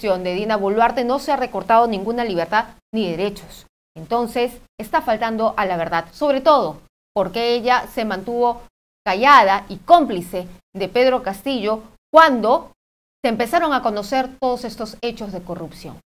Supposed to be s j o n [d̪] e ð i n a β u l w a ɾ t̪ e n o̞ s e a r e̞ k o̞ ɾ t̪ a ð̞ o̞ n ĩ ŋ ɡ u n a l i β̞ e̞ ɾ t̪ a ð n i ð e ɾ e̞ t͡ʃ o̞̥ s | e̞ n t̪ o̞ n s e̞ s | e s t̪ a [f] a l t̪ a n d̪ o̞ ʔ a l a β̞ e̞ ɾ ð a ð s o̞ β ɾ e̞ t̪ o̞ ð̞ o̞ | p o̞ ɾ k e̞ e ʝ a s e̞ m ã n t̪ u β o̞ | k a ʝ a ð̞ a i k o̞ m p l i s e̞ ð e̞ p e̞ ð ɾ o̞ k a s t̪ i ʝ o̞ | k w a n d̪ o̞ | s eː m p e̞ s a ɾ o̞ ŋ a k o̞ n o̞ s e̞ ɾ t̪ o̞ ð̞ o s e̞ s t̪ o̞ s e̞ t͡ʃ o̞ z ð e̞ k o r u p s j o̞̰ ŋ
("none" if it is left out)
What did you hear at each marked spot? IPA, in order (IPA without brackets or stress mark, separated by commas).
d̪, f